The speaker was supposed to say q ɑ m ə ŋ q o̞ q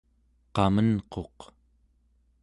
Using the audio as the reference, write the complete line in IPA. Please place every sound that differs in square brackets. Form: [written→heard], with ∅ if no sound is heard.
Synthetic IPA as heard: q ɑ m ə [ŋ→n] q o̞ q